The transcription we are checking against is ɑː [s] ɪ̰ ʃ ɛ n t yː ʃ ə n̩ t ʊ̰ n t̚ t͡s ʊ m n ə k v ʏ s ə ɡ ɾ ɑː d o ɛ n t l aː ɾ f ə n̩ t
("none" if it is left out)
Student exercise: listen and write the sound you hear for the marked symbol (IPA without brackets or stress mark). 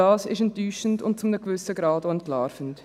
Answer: s